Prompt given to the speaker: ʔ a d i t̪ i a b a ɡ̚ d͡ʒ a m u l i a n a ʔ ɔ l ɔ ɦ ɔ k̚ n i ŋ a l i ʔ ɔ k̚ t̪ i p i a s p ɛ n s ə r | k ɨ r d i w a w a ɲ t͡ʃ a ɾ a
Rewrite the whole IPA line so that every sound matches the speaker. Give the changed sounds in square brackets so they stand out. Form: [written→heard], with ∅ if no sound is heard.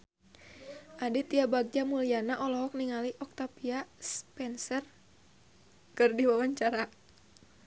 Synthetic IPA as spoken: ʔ a d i t̪ i a b a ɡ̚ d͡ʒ a m u l i a n a ʔ ɔ l ɔ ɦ ɔ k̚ n i ŋ a l i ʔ ɔ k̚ t̪ [i→a] p i a s p ɛ n s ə r | k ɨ r d i w a w a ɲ t͡ʃ a ɾ a